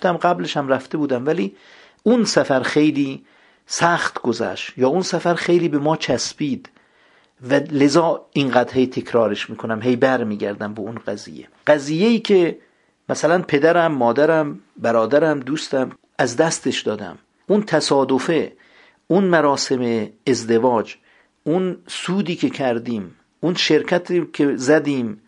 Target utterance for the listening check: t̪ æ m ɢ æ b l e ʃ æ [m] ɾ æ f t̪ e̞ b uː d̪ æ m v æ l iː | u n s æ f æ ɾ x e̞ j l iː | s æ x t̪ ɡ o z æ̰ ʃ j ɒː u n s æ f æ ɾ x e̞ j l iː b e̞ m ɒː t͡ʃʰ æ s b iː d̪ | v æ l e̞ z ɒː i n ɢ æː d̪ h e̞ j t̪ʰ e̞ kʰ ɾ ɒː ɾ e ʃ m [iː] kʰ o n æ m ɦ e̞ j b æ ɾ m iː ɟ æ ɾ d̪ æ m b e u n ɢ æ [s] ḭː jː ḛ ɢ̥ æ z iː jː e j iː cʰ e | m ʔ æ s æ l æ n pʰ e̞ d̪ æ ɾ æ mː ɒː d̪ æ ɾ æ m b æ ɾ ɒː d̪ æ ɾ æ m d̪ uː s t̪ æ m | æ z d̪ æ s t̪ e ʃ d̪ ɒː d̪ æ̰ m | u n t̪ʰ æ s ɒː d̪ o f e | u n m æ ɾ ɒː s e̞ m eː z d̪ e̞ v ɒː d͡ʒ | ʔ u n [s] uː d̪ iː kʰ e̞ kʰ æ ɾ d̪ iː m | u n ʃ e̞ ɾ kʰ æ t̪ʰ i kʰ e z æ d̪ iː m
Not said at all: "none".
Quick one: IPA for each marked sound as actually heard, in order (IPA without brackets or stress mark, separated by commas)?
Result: m, iː, z, s